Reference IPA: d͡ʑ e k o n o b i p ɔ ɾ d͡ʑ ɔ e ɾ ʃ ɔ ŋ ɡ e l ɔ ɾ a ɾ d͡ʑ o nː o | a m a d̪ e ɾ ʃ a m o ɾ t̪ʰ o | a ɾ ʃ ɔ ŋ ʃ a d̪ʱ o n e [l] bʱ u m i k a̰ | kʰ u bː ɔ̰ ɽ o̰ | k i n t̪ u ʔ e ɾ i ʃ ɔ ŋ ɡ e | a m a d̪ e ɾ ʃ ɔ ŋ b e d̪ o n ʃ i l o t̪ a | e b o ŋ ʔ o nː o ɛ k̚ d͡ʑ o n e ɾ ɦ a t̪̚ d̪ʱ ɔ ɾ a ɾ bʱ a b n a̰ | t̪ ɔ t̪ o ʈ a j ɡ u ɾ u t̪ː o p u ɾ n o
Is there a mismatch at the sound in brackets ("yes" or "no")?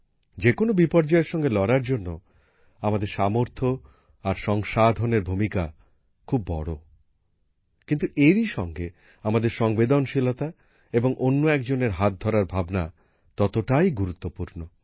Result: yes